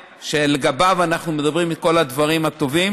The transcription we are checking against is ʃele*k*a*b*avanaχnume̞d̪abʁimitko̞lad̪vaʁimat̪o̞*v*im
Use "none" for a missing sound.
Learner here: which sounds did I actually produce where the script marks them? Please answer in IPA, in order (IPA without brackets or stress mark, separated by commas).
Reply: ɡ, b, v